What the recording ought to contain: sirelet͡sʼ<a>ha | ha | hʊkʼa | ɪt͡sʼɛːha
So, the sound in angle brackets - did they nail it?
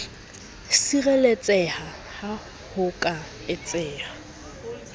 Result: no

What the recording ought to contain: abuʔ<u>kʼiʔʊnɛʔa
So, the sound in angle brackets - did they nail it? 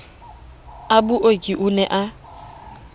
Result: no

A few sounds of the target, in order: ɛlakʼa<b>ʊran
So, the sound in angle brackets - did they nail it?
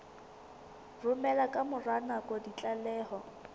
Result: no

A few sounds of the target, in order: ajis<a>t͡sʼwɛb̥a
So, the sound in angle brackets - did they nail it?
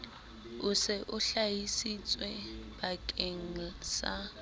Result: no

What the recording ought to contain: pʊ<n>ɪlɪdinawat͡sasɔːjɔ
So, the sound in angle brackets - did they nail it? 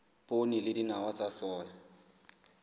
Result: yes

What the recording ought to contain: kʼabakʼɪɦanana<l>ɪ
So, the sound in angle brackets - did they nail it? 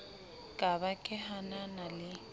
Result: yes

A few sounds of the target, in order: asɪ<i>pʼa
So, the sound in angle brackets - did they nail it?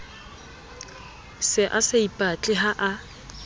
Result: yes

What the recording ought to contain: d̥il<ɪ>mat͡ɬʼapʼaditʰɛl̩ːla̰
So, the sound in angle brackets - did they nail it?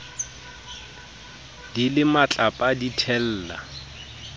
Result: yes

